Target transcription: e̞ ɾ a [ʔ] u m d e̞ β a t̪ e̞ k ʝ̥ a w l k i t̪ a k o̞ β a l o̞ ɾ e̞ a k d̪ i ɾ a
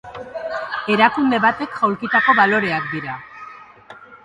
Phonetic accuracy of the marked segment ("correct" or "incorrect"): incorrect